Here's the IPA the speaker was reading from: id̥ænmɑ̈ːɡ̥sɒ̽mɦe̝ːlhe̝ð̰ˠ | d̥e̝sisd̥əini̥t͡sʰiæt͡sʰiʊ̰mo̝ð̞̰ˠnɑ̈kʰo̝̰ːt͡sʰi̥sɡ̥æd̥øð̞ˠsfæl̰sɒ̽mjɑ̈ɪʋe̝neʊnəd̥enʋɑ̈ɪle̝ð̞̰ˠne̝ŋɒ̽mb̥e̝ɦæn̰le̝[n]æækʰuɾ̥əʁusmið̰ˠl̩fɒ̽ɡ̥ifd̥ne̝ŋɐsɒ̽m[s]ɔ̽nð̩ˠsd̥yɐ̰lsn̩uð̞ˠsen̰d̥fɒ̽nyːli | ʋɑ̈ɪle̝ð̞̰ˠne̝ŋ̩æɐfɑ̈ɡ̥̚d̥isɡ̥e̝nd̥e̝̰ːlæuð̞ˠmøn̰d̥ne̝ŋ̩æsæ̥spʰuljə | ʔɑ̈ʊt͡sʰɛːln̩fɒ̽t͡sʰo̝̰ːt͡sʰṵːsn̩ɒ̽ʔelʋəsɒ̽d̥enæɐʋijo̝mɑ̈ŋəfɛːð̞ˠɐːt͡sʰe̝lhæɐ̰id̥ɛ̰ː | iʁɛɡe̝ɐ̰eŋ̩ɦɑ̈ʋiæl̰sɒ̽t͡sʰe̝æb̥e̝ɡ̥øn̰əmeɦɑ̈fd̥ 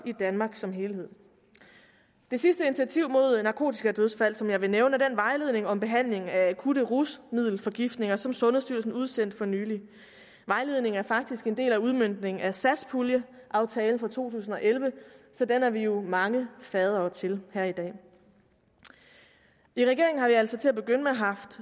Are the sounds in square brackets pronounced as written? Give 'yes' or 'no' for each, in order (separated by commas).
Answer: no, yes